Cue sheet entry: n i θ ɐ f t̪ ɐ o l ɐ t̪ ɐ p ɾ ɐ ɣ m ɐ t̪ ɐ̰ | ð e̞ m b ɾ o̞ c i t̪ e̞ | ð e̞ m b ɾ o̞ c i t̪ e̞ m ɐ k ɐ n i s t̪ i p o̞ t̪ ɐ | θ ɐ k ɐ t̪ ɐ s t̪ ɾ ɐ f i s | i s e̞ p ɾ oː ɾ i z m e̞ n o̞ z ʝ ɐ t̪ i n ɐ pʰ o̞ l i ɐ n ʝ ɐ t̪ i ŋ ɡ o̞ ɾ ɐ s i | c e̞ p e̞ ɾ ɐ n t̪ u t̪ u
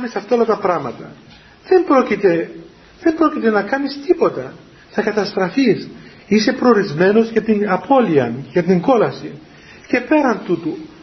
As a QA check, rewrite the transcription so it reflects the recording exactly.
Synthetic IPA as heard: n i s ɐ f t̪ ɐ o l ɐ t̪ ɐ p ɾ ɐ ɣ m ɐ t̪ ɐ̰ | ð e̞ m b ɾ o̞ c i t̪ e̞ | ð e̞ m b ɾ o̞ c i t̪ e̞ n ɐ k ɐ n i s t̪ i p o̞ t̪ ɐ | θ ɐ k ɐ t̪ ɐ s t̪ ɾ ɐ f i s | i s e̞ p ɾ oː ɾ i z m e̞ n o̞ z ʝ ɐ t̪ i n ɐ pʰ o̞ l i ɐ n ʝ ɐ t̪ i ŋ ɡ o̞ l ɐ s i | c e̞ p e̞ ɾ ɐ n t̪ u t̪ u